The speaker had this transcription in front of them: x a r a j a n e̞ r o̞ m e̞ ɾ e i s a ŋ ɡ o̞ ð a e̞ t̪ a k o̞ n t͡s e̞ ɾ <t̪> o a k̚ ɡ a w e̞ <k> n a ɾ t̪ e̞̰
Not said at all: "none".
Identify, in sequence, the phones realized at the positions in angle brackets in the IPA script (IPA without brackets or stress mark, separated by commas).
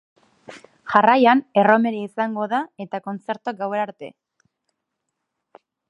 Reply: t̪, none